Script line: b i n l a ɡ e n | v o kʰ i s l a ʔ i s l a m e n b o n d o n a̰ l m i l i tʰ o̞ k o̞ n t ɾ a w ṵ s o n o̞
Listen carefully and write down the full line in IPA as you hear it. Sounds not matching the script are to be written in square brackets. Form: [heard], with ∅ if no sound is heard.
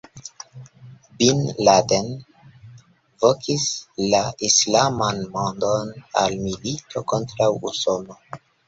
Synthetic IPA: b i n l a [d] e n | v o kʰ i s l a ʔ i s l a m [a] n [m] o n d o n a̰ l m i l i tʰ o̞ k o̞ n t ɾ a w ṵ s o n o̞